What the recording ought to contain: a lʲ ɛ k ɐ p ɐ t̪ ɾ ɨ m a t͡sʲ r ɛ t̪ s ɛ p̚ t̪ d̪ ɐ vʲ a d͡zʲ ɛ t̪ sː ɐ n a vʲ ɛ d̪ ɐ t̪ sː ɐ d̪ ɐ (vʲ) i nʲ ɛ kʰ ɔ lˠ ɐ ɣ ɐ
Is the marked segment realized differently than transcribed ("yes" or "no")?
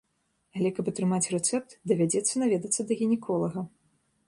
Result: yes